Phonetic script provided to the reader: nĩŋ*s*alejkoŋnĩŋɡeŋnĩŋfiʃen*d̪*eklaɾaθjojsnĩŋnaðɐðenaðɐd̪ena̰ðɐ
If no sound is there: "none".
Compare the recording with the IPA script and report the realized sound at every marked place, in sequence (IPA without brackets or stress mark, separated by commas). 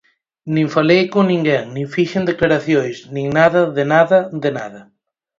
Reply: f, d̪